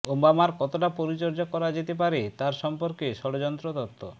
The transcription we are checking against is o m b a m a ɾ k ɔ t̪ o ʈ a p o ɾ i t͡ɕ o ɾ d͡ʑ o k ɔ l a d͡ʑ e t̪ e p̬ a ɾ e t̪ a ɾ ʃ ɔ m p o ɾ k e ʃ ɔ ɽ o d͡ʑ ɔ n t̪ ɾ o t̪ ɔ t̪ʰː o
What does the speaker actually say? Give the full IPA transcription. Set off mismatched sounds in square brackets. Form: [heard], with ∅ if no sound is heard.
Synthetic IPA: o m b a m a ɾ k ɔ t̪ o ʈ a p o ɾ i t͡ɕ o ɾ d͡ʑ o k ɔ [ɾ] a d͡ʑ e t̪ e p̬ a ɾ e t̪ a ɾ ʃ ɔ m p o ɾ k e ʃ ɔ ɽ o d͡ʑ ɔ n t̪ ɾ o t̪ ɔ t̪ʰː o